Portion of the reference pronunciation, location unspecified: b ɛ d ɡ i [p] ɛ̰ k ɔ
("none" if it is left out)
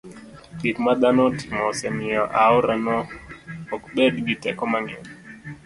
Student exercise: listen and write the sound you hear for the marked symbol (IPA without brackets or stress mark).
t